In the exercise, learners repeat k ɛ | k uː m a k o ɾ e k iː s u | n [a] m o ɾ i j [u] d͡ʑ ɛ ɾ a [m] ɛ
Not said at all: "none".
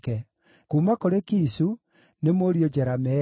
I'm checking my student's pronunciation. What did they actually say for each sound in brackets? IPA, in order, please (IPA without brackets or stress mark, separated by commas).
e, o, m